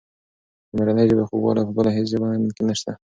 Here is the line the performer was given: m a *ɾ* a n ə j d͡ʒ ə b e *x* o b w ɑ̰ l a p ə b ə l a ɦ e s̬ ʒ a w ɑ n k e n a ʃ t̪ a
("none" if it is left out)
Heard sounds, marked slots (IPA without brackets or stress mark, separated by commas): ɾ, x